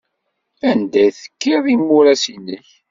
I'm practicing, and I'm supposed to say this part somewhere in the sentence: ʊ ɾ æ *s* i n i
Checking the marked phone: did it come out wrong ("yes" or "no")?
no